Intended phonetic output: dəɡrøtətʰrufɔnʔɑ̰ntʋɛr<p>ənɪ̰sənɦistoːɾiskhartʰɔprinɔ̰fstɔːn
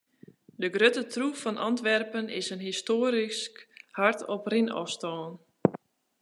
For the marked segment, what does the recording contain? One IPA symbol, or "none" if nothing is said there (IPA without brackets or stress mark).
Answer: p